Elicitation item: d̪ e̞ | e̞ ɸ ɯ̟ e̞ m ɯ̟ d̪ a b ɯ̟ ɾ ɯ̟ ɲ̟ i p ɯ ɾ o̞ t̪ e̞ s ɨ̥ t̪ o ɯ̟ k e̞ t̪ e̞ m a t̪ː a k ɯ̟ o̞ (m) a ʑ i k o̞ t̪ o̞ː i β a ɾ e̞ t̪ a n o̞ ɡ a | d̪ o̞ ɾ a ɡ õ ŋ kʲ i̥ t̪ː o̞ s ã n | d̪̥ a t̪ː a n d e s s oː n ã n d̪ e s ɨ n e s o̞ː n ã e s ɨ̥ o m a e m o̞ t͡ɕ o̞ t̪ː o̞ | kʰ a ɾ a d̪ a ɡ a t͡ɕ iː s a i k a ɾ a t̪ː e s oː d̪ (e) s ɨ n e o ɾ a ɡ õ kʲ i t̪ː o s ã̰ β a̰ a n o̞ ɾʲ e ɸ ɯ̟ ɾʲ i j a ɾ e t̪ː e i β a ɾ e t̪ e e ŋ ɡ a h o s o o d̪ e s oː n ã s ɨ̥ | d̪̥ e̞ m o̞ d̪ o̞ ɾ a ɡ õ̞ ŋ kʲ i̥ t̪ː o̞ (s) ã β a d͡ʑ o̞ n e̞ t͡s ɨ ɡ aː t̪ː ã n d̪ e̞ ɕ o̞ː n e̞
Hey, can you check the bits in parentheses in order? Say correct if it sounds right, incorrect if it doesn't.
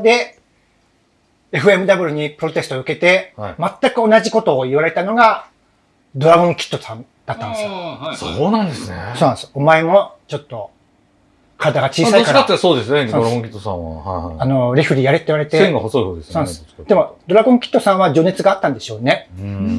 incorrect: n, correct, correct

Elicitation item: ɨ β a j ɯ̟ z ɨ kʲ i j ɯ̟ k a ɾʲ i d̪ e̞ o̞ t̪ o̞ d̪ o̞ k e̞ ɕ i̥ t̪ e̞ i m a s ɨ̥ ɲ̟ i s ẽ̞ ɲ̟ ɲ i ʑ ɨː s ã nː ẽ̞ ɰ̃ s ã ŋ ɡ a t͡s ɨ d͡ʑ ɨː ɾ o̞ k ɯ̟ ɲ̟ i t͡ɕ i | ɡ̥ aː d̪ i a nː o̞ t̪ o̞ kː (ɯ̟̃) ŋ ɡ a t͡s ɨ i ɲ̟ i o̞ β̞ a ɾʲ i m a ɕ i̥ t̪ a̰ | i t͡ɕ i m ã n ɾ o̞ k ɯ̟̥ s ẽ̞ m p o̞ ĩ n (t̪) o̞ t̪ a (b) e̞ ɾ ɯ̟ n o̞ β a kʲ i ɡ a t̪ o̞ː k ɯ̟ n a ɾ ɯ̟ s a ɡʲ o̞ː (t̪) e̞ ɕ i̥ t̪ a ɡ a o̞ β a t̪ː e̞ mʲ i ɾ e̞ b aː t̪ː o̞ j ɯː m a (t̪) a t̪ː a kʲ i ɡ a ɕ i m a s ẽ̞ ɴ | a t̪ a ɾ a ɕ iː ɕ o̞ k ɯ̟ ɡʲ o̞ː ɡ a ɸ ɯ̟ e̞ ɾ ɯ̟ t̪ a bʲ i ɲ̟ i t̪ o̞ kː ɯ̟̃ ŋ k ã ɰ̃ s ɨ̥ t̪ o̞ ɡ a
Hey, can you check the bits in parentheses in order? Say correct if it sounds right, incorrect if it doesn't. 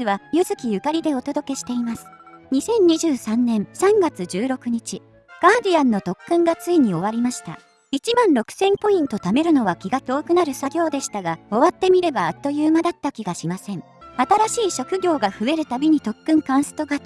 correct, correct, incorrect: m, incorrect: d̪, incorrect: d̪

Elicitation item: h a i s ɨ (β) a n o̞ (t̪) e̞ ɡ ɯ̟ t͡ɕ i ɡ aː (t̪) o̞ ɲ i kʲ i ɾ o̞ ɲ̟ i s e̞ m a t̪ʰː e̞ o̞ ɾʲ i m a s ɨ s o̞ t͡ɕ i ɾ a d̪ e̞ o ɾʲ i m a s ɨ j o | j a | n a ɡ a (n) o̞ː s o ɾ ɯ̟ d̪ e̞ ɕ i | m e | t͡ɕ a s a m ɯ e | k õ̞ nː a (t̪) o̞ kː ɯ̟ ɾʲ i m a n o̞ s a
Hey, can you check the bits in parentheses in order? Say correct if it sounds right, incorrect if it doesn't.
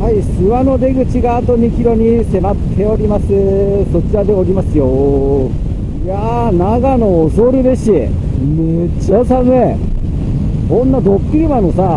correct, incorrect: d̪, correct, correct, incorrect: d̪

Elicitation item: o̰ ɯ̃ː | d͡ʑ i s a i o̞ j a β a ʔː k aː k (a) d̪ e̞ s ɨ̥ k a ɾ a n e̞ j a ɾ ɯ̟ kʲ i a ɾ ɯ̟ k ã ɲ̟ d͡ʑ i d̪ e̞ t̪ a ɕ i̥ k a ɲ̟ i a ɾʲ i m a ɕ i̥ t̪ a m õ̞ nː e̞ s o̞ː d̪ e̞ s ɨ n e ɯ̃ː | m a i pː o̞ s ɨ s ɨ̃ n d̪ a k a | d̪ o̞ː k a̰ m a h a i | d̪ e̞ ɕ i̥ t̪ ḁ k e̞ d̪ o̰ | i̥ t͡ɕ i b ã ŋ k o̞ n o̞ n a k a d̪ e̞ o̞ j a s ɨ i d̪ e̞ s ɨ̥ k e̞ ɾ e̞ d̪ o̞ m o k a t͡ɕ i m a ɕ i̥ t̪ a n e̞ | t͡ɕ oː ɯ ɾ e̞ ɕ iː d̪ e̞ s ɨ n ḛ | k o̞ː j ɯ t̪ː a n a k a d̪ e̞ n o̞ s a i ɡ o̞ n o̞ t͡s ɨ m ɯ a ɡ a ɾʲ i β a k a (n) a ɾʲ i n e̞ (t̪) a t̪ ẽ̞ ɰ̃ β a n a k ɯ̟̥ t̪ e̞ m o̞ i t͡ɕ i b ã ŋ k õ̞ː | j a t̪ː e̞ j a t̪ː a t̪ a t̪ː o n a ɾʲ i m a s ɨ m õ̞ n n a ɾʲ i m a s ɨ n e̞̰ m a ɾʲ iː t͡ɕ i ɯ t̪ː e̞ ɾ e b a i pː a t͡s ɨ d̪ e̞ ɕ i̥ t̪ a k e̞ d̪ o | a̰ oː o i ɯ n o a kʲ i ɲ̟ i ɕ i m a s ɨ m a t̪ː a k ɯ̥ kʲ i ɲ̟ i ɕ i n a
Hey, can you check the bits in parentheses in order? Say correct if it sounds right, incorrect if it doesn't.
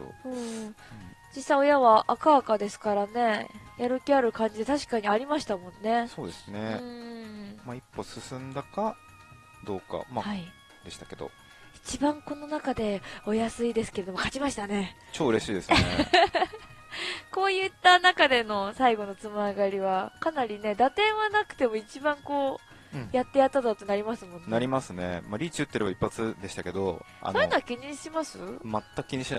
correct, correct, incorrect: d̪

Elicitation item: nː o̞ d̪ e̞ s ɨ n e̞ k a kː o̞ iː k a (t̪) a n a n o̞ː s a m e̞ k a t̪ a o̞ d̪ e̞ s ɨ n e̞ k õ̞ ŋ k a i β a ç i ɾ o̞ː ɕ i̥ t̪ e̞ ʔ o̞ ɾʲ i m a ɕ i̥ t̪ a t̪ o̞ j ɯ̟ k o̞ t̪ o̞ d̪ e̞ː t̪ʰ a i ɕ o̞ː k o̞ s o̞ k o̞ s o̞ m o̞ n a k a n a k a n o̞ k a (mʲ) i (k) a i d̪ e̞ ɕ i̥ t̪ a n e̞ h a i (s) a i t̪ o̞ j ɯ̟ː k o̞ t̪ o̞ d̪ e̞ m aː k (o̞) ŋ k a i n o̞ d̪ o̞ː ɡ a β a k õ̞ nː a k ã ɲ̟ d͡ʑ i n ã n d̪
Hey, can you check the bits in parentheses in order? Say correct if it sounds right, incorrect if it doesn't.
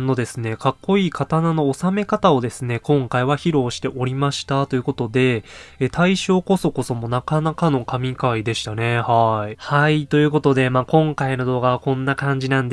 correct, correct, correct, incorrect: h, incorrect: õ̞

